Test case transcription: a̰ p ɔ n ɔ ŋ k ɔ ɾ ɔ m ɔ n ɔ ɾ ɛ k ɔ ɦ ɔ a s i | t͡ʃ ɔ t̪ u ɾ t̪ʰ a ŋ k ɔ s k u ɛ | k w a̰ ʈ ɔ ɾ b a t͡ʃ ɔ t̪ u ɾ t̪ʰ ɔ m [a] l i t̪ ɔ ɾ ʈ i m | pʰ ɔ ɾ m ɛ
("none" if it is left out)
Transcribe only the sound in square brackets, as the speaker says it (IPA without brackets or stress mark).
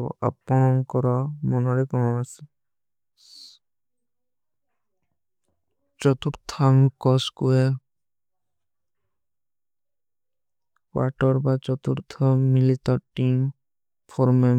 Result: i